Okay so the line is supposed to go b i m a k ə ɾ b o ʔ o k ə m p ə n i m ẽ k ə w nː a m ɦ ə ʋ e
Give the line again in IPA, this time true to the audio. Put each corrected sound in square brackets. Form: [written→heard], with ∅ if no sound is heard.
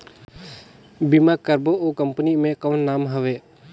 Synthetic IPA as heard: b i m a k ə ɾ b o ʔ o k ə m p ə n i m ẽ k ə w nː a m ɦ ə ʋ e